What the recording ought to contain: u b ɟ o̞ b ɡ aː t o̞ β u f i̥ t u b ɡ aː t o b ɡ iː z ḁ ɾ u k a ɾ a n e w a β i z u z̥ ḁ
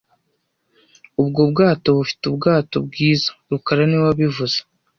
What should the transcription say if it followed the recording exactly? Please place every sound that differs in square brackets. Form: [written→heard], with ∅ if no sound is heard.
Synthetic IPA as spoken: u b [ɟ→ɡ] o̞ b ɡ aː t o̞ β u f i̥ t u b ɡ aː t o b ɡ iː z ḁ ɾ u k a ɾ a n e w a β i [z→v] u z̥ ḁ